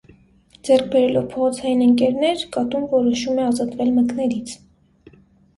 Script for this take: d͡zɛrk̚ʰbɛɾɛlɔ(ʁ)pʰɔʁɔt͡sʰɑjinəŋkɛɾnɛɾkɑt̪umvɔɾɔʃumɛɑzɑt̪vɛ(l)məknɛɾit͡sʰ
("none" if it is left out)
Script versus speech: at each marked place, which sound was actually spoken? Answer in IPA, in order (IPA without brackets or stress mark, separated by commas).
v, l